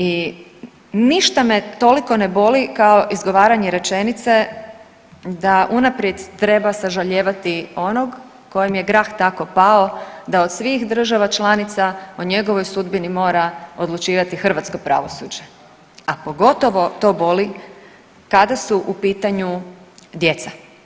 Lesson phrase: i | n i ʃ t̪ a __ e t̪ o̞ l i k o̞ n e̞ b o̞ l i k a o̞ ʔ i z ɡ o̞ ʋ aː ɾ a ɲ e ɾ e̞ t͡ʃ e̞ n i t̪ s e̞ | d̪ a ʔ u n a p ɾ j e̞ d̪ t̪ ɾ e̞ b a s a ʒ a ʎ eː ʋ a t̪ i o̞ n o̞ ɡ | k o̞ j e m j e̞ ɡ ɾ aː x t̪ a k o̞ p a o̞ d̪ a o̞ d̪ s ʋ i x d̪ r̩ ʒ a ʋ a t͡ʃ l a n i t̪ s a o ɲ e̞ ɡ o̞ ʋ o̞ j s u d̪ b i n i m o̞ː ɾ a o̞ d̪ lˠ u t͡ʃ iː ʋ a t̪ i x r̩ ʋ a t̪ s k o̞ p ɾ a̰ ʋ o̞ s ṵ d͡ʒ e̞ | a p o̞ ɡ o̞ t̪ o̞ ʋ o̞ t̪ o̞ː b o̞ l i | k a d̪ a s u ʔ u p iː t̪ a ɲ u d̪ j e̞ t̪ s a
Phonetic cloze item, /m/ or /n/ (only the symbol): m